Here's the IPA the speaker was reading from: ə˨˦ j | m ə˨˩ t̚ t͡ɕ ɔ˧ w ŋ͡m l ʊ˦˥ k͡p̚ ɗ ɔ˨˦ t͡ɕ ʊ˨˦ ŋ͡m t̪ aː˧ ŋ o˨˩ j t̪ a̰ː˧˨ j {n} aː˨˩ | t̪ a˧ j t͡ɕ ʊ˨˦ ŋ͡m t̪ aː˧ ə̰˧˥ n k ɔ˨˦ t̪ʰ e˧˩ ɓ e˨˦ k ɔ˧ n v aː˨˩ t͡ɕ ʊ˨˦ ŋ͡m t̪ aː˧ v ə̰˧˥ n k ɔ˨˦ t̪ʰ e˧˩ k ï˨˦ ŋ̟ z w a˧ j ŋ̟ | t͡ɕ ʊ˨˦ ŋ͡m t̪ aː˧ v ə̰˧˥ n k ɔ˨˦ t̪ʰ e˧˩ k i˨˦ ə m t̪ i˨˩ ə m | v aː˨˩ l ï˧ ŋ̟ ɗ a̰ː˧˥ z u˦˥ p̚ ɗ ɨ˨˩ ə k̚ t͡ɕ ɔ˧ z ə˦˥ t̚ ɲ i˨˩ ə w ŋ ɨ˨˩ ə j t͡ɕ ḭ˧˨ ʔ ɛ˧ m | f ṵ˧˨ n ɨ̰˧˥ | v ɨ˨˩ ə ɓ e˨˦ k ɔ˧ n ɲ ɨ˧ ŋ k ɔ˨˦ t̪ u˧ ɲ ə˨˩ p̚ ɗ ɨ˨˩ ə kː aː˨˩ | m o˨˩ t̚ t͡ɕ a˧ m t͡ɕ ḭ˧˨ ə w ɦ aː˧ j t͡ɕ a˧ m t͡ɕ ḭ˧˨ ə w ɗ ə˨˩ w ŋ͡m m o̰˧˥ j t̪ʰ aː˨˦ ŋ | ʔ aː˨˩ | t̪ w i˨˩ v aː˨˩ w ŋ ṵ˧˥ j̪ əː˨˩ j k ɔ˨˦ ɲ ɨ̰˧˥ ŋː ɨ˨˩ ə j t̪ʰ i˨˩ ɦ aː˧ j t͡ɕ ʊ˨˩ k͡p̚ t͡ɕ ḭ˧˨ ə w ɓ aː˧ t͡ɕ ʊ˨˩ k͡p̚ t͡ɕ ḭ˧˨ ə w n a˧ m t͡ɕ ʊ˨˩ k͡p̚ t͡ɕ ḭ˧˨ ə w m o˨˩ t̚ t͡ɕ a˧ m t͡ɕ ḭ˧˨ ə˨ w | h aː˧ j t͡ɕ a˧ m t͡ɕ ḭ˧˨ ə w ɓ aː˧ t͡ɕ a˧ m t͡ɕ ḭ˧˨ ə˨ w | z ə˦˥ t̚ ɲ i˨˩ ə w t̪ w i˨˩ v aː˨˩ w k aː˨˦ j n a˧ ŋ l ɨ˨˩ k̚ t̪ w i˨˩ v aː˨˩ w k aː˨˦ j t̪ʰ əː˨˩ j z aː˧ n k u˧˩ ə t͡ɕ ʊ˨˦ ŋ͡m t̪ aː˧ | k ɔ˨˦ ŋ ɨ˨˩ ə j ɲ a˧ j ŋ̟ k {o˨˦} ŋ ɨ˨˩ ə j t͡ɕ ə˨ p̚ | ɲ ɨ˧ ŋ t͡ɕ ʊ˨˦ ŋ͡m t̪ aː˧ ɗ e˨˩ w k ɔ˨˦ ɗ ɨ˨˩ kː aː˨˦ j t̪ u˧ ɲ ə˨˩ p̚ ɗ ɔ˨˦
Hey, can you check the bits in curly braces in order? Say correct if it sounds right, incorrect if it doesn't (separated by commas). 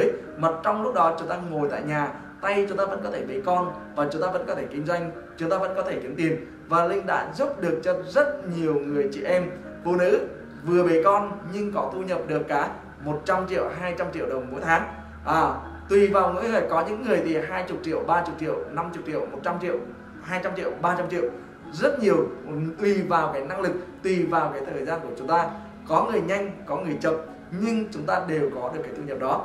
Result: incorrect, incorrect